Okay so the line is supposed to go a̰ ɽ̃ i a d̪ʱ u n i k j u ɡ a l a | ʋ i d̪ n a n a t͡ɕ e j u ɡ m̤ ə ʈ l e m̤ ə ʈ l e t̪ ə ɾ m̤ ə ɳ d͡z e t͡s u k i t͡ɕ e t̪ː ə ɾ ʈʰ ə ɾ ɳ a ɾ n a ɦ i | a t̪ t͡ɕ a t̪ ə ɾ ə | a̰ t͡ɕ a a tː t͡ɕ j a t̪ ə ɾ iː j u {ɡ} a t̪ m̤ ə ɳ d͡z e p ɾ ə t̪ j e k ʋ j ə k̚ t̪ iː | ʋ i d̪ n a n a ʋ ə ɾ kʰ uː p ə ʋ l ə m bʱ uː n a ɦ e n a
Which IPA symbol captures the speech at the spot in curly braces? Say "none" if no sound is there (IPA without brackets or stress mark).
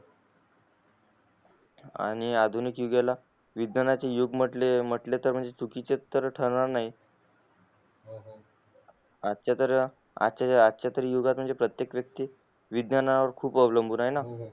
ɡ